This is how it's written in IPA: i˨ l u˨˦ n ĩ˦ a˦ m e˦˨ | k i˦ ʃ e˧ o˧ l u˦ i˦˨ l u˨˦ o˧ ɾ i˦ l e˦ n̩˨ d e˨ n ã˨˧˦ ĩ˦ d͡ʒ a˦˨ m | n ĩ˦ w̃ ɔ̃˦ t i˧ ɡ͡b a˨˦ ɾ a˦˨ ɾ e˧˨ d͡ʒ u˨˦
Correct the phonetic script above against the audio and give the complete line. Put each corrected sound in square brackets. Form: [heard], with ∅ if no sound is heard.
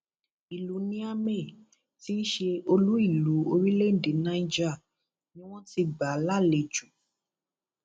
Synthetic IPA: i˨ l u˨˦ n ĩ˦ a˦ m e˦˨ | [t] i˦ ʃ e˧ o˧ l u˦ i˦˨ l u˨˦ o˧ ɾ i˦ l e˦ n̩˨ d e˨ n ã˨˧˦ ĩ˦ d͡ʒ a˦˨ [∅] | n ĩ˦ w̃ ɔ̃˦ t i˧ ɡ͡b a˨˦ [l] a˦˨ [l] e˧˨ d͡ʒ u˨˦